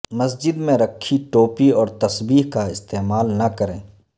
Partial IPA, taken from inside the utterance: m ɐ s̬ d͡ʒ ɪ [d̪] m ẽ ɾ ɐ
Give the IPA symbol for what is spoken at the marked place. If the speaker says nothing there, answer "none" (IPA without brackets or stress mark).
d̪